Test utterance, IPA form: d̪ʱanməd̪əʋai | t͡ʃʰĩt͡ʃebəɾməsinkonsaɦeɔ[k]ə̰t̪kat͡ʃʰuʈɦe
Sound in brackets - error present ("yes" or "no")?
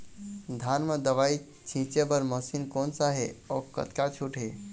no